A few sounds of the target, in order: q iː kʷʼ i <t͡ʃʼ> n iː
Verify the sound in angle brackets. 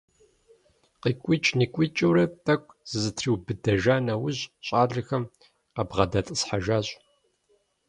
correct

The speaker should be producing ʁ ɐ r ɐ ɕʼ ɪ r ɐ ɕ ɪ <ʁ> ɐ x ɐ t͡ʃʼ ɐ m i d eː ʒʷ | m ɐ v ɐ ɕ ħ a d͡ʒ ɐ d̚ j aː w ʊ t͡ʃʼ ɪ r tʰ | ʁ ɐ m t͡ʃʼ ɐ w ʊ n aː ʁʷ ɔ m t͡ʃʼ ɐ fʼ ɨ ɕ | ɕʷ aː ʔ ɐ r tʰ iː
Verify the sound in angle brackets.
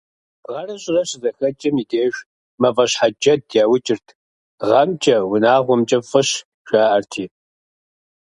incorrect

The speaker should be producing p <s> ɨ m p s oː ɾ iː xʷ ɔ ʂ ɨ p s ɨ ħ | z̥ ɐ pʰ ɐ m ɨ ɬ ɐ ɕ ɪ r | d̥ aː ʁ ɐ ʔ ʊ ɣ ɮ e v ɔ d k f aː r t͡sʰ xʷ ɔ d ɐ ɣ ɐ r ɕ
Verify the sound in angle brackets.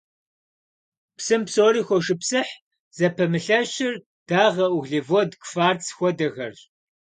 correct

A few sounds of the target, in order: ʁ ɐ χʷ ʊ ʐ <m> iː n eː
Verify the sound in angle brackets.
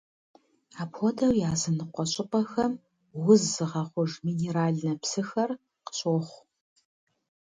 correct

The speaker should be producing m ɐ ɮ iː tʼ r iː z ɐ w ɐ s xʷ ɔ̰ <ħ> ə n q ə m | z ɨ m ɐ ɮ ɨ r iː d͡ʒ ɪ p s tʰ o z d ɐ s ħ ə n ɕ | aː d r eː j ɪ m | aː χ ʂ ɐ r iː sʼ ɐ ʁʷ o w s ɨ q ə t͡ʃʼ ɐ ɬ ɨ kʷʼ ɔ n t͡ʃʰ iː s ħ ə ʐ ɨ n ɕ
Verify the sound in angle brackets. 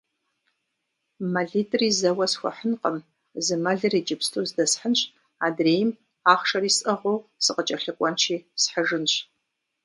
correct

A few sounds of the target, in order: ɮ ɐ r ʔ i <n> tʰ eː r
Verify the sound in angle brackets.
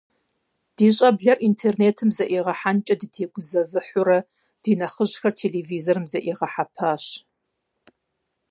correct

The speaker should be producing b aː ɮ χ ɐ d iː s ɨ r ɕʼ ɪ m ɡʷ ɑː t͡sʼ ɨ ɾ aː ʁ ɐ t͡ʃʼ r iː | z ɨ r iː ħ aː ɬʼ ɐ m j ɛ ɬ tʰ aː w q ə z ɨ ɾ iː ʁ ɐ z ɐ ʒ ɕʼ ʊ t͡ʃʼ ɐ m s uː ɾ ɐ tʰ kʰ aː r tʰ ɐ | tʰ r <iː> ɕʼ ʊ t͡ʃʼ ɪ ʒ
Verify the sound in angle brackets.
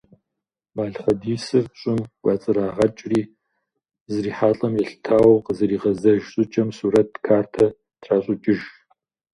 incorrect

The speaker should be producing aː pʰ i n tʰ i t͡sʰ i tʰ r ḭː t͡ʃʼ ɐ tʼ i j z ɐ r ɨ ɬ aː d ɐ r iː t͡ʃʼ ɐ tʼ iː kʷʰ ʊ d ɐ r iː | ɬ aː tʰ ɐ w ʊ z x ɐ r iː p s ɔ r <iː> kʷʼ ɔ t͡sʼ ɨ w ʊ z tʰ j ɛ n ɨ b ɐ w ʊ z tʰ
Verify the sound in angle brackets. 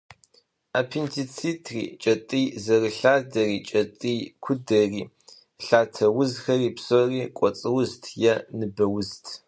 correct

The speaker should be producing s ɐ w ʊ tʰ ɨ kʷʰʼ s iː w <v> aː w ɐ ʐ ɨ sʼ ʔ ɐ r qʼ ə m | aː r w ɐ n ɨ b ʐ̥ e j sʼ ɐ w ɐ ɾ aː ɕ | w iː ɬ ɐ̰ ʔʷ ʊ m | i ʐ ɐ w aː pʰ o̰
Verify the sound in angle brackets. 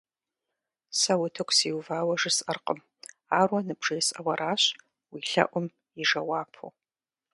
correct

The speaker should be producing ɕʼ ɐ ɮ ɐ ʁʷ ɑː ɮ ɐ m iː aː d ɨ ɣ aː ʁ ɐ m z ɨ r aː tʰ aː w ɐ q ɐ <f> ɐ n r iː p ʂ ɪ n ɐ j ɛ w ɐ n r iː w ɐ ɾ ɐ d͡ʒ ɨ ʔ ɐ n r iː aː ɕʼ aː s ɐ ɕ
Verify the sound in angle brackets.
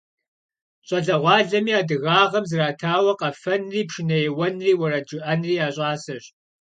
correct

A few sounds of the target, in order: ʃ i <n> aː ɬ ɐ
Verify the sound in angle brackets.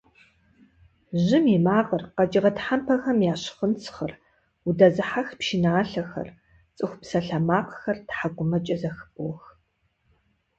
correct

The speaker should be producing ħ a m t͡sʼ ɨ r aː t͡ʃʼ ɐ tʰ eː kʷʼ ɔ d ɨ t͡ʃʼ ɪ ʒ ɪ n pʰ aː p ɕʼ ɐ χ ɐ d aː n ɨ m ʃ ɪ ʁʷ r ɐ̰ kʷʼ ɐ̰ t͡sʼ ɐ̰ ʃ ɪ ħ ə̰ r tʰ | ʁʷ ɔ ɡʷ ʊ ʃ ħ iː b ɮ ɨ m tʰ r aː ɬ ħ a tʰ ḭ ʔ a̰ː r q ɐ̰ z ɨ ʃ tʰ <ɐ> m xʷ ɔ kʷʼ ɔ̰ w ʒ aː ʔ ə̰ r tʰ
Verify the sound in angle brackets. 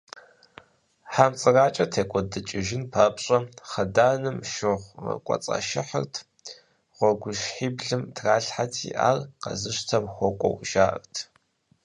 correct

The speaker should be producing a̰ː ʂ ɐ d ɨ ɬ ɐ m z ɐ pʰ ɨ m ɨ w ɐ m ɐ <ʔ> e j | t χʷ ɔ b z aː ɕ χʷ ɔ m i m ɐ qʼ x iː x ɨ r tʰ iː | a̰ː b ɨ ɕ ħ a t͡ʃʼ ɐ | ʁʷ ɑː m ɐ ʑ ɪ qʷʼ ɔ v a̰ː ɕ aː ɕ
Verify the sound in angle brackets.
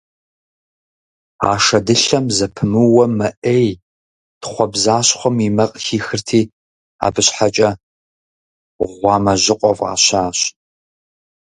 correct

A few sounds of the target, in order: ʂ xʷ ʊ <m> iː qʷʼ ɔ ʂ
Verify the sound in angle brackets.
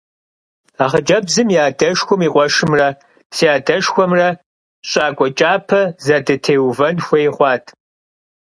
correct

